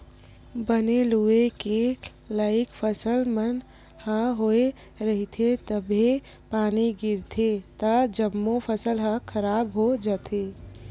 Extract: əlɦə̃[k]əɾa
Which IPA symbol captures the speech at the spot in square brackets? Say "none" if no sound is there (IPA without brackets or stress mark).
kʰ